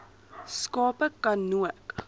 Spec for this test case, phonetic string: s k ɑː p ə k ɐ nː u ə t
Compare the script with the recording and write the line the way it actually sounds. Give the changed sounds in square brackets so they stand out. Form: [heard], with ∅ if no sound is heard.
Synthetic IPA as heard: s k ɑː p ə k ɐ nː u ə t